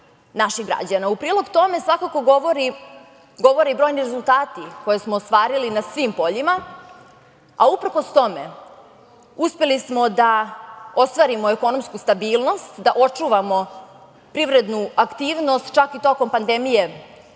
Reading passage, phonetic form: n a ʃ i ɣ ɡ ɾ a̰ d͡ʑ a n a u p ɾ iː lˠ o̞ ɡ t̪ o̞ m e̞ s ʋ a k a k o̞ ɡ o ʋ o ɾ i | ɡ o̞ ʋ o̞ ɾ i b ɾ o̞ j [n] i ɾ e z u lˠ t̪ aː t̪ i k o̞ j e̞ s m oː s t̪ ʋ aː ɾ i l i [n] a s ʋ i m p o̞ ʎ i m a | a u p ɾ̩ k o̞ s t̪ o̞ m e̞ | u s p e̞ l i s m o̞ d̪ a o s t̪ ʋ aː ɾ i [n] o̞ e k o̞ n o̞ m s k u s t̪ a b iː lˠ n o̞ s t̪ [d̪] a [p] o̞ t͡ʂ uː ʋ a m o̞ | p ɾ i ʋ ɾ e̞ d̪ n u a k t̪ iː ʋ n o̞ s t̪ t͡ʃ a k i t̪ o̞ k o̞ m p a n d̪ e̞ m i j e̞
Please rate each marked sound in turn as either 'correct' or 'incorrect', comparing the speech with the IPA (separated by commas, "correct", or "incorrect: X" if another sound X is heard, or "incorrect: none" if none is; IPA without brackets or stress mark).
correct, correct, incorrect: m, correct, incorrect: ʔ